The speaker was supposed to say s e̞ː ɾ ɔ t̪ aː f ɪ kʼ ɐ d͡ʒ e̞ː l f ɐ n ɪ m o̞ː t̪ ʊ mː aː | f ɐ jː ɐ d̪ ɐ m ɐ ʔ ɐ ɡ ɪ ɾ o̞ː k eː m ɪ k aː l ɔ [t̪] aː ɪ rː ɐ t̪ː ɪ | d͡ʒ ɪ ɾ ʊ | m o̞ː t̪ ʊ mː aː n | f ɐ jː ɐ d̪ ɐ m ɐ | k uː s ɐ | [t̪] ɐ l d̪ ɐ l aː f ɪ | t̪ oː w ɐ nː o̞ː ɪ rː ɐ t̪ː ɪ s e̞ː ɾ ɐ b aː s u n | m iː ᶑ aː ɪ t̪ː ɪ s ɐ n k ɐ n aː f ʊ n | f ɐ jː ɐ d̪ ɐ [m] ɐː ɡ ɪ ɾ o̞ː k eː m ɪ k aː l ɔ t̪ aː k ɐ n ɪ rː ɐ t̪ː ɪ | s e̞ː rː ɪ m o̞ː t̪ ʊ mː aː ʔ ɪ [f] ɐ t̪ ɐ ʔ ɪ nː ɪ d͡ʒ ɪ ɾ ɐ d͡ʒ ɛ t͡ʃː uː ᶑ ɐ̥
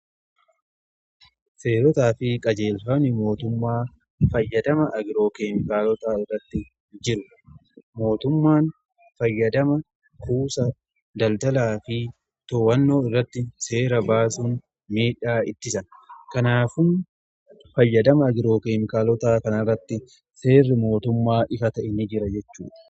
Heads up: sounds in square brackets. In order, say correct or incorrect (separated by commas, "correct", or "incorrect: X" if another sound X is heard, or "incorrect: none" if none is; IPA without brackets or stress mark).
correct, incorrect: d̪, correct, correct